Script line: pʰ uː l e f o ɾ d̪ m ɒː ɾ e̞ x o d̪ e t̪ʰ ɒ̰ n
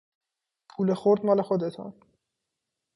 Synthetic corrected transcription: pʰ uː l e x o ɾ d̪ m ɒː l e̞ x o d̪ e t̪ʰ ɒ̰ n